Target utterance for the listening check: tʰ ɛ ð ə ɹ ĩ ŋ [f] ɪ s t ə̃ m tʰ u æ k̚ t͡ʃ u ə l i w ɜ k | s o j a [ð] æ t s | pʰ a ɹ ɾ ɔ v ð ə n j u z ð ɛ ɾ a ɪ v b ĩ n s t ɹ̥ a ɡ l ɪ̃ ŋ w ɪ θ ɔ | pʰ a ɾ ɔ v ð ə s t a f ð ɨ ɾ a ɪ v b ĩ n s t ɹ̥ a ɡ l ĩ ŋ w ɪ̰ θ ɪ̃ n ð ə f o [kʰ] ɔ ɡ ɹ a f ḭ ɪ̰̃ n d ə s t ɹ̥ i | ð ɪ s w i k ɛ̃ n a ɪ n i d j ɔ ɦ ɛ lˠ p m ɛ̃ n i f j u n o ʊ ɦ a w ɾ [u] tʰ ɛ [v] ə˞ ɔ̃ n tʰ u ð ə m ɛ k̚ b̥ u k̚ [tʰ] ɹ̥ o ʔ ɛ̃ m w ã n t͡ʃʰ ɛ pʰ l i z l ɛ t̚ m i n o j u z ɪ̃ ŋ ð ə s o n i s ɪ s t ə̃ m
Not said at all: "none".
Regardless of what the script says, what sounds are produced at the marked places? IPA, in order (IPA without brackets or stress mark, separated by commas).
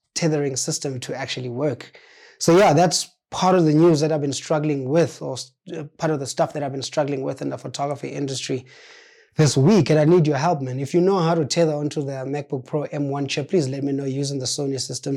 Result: s, ð, tʰ, u, ð, pʰ